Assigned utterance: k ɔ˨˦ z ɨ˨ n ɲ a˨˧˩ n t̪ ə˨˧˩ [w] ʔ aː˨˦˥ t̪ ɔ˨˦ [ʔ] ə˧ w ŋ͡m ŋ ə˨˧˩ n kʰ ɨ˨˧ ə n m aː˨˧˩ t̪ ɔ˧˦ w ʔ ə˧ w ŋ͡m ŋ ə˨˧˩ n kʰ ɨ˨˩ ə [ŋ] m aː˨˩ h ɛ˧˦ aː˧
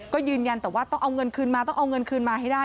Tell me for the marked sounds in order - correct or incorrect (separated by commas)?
correct, correct, incorrect